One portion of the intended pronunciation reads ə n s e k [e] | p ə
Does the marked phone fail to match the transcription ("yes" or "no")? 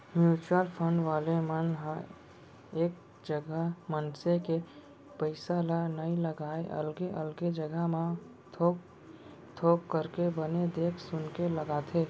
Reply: no